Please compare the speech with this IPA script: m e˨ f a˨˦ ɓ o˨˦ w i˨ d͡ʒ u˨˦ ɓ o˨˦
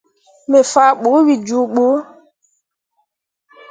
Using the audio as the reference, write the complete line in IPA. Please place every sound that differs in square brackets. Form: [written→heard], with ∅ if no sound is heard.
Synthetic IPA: m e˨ f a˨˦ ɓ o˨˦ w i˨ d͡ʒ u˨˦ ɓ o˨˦